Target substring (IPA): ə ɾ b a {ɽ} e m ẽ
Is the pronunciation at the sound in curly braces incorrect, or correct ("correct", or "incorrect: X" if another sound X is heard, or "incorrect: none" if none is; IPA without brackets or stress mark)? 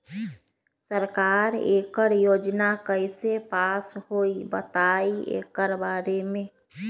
incorrect: ɾ